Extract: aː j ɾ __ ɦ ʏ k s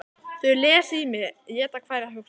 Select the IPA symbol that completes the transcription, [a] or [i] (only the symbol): a